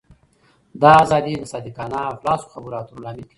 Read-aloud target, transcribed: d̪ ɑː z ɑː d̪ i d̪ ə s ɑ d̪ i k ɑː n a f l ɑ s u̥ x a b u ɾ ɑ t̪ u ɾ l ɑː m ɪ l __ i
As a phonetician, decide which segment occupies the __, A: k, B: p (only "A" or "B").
A